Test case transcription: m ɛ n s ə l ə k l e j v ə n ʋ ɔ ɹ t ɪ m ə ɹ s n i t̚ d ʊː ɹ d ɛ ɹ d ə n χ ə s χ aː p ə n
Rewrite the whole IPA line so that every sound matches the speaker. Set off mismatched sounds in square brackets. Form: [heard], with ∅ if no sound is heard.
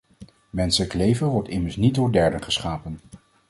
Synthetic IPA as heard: m ɛ n s ə l ə k l e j v ə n ʋ ɔ ɹ t ɪ m ə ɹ s n i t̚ d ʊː ɹ d ɛ ɹ d ə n χ ə s χ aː p ə n